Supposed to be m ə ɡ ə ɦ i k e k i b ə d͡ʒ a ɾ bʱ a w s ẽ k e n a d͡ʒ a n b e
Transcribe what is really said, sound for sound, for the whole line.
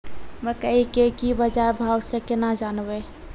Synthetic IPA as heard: m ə k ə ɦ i k e k i b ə d͡ʒ a ɾ bʱ a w s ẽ k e n a d͡ʒ a n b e